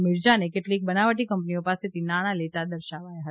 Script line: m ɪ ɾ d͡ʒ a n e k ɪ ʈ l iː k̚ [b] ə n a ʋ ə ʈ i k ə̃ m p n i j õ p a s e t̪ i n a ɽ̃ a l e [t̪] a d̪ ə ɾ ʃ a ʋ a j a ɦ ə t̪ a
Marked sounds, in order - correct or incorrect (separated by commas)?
correct, correct